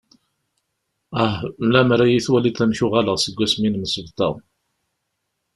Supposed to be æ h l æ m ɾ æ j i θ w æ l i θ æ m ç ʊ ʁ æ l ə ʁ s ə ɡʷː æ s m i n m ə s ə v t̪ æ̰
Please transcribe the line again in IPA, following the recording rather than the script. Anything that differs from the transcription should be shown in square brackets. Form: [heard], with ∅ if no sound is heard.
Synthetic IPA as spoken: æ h l æ m ɾ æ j i θ w æ l i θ æ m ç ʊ ʁ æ l ə ʁ s ə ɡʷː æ s m i n m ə s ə v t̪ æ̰